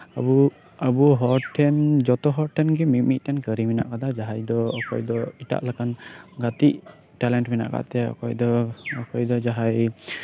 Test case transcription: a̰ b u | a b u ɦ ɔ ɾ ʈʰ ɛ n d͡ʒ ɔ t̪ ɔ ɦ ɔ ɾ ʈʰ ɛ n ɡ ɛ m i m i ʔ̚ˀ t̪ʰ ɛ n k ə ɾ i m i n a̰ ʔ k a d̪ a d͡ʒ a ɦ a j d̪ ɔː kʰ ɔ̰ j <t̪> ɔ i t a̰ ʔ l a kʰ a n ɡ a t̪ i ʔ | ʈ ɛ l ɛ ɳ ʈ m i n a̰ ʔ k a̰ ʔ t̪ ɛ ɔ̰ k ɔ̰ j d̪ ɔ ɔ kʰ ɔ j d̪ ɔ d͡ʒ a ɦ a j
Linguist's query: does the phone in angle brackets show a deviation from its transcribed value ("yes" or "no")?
yes